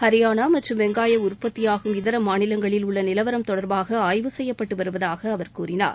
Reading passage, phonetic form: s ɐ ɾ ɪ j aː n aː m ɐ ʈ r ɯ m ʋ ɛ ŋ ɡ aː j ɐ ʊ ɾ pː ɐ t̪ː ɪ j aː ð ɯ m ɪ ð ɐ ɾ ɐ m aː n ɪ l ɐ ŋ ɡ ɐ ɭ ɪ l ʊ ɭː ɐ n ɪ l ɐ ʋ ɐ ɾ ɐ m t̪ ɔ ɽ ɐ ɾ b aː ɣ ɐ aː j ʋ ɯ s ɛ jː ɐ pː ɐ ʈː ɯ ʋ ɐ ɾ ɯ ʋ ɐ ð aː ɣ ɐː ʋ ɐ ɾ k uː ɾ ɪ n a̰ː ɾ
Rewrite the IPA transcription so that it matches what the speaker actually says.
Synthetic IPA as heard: h ɐ ɾ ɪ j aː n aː m ɐ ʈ r ɯ m ʋ ɛ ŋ ɡ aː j ɐ ʊ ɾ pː ɐ t̪ː ɪ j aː ɣ ɯ m ɪ ð ɐ ɾ ɐ m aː n ɪ l ɐ ŋ ɡ ɐ ɭ ɪ l ʊ ɭː ɐ n ɪ l ɐ ʋ ɐ ɾ ɐ m t̪ ɔ ɽ ɐ ɾ b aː ɣ ɐ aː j ʋ ɯ s ɛ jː ɐ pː ɐ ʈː ɯ ʋ ɐ ɾ ɯ ʋ ɐ ð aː ɣ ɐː ʋ ɐ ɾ k uː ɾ ɪ n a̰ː ɾ